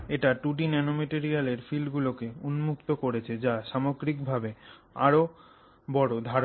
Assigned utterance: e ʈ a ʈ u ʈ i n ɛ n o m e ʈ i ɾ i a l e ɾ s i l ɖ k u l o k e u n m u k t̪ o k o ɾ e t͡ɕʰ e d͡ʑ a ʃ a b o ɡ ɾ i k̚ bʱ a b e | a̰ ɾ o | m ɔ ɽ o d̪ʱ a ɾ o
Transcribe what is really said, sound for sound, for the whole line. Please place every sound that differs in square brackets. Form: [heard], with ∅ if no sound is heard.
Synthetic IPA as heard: e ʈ a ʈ u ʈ i n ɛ n o m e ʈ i ɾ i a l e ɾ [f] i l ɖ [ɡ] u l o k e u n m u k t̪ o k o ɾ e t͡ɕʰ e d͡ʑ a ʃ a [m] o ɡ ɾ i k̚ bʱ a b e | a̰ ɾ o | [b] ɔ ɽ o d̪ʱ a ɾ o